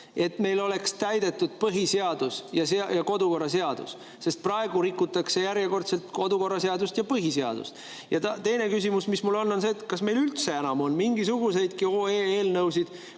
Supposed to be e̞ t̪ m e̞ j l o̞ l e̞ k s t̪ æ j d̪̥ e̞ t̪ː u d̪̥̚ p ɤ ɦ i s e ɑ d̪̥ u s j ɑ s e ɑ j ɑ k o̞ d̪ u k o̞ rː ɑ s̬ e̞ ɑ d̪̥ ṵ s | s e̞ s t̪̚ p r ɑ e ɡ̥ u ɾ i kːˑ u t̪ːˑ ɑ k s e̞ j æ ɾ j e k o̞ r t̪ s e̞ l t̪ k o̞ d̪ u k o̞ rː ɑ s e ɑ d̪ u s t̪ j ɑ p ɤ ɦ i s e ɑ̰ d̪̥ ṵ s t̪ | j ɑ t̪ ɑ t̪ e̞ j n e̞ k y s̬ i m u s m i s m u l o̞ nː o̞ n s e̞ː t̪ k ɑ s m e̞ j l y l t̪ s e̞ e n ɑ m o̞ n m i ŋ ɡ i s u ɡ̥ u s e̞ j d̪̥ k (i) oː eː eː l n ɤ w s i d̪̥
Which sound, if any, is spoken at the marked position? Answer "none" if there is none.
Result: i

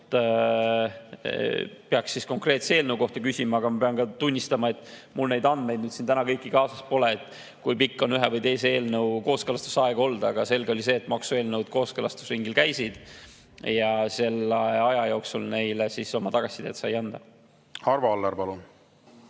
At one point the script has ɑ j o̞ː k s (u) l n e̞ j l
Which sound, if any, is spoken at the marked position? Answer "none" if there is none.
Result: u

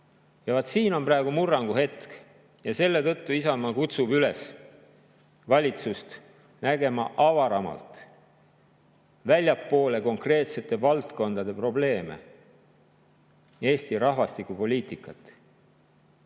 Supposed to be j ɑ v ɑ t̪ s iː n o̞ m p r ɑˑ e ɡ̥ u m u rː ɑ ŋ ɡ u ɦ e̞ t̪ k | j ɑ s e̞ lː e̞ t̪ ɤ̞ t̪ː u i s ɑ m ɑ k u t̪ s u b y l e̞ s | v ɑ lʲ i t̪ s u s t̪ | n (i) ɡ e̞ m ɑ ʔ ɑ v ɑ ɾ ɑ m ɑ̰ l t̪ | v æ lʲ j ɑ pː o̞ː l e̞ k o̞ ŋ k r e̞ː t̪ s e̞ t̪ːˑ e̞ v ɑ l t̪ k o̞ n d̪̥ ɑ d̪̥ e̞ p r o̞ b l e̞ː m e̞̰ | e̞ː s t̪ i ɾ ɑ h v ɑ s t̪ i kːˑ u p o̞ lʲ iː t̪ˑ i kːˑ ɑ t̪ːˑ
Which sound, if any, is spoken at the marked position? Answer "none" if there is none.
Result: æ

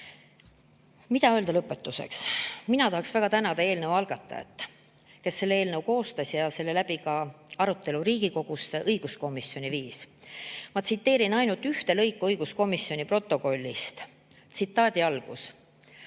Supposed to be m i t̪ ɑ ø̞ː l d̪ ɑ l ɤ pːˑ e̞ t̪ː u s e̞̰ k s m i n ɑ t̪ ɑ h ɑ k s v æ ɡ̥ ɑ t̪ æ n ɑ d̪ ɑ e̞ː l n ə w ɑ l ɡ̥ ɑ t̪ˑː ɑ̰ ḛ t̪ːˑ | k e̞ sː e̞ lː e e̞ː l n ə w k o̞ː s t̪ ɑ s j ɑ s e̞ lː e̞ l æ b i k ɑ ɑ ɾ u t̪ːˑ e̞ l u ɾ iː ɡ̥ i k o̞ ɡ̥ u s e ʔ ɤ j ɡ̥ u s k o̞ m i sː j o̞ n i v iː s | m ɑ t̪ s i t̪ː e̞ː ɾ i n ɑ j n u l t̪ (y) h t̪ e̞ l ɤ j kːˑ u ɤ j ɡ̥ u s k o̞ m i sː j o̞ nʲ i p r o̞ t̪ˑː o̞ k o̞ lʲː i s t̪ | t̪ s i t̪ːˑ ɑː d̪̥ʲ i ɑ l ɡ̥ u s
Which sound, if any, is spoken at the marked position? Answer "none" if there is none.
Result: y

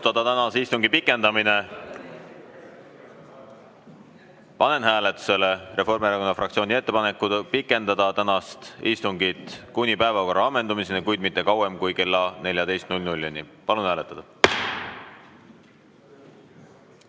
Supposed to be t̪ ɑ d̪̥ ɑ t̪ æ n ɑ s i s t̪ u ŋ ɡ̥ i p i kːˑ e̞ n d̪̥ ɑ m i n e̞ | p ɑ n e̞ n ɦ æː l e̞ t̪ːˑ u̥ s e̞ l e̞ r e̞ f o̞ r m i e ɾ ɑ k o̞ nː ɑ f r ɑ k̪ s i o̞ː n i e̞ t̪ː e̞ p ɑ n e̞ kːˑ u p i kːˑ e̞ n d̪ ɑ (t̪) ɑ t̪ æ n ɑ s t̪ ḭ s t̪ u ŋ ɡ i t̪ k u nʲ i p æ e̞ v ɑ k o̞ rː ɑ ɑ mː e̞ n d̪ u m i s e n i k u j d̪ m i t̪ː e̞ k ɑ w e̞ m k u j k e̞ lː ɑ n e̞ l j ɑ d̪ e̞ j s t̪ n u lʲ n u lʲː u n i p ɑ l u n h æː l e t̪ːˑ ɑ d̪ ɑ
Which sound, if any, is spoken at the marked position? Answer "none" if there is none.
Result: d̪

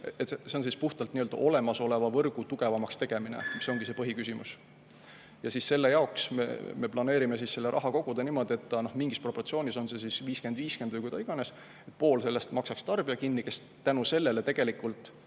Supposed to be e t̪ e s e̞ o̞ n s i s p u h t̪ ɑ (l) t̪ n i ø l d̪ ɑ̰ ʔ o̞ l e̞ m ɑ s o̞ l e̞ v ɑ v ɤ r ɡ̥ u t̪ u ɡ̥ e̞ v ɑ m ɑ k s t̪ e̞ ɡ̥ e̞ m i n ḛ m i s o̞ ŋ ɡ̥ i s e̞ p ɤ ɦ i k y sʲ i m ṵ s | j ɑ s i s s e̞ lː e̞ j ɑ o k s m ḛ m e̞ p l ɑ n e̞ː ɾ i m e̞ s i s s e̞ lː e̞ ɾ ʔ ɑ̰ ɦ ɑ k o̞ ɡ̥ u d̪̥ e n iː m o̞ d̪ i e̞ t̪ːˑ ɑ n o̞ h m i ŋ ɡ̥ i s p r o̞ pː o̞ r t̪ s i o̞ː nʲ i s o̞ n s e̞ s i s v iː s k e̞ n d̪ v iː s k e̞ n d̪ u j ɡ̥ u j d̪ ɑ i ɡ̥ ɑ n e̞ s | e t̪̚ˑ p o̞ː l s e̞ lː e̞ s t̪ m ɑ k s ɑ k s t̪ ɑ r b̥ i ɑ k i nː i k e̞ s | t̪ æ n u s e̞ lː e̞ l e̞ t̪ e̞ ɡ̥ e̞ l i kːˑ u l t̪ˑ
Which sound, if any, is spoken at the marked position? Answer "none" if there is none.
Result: l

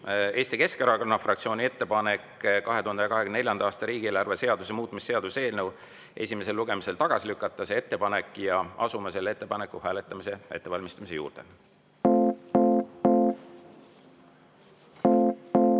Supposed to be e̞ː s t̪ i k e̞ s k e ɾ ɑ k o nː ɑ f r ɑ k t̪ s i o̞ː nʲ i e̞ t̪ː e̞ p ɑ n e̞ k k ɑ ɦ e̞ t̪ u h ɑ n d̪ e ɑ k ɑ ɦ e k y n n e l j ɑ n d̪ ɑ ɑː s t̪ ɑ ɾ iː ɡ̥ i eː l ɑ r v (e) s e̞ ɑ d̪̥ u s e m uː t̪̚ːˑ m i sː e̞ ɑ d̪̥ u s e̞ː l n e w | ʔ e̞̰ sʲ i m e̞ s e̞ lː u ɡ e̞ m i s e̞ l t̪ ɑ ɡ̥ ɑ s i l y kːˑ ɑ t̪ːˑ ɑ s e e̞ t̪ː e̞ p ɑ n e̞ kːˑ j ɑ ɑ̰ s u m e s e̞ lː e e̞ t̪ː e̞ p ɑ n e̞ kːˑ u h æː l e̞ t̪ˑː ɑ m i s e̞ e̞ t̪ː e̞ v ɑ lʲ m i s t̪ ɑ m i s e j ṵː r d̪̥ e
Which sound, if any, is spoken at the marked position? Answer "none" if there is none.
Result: e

